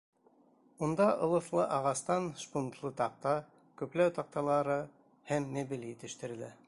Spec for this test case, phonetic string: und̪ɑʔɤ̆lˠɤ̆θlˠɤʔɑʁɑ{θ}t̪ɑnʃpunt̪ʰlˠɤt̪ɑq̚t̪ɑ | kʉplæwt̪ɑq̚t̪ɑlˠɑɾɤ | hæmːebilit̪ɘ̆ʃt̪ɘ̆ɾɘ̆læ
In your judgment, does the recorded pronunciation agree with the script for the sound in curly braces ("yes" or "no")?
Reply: no